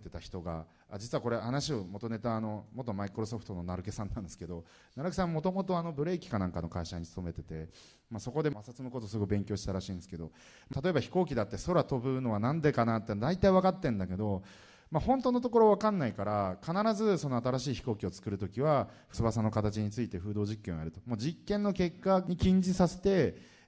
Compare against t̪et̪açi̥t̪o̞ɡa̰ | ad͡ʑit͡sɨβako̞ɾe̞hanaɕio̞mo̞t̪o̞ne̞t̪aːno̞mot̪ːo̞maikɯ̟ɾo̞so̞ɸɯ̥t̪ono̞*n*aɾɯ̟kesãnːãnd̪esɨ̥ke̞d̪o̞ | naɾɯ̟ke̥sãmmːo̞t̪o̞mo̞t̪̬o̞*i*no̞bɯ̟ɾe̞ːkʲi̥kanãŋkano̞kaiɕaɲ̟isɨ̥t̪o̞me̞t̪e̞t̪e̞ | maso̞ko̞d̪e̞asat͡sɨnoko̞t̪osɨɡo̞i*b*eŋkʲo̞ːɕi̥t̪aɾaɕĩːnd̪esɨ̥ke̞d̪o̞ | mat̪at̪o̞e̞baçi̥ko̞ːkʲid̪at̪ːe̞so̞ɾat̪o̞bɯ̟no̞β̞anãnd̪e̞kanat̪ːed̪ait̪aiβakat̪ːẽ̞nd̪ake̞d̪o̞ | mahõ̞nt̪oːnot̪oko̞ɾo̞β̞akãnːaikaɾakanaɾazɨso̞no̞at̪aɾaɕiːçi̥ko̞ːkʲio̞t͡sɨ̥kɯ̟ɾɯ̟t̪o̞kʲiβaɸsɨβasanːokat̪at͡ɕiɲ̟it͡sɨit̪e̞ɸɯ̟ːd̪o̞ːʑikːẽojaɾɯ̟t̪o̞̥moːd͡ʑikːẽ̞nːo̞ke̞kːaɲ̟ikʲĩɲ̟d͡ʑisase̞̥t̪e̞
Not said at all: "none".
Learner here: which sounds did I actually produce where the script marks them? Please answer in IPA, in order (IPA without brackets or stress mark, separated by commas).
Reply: n, a, b